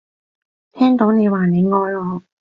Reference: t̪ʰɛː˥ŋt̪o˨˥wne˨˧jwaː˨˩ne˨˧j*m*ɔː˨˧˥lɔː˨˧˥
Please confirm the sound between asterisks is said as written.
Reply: no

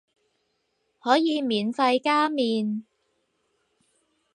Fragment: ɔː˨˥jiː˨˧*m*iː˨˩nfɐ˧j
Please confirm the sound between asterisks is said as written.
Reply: yes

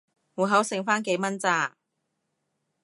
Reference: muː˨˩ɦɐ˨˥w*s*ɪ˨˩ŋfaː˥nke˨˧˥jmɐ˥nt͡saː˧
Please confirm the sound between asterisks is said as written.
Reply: yes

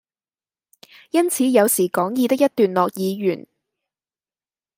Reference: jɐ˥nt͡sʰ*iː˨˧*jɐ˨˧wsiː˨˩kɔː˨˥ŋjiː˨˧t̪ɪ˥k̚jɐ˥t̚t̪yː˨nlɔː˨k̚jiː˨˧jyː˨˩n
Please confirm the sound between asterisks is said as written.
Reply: yes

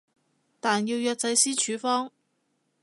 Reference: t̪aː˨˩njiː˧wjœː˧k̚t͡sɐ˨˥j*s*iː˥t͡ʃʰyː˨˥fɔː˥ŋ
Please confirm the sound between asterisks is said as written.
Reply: yes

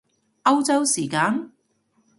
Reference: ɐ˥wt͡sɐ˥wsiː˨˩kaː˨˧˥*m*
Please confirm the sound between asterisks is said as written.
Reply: no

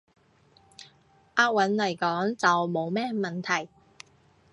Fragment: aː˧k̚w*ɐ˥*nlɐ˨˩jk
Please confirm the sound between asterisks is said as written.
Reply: no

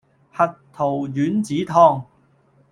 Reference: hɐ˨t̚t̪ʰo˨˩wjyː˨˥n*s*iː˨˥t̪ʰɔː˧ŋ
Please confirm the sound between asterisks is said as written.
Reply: no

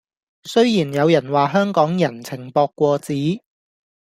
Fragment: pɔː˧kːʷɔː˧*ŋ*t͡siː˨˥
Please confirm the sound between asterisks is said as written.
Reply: no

